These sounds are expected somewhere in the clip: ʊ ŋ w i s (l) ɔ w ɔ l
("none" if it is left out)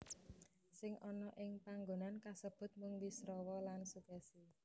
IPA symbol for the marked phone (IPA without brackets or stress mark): ɾ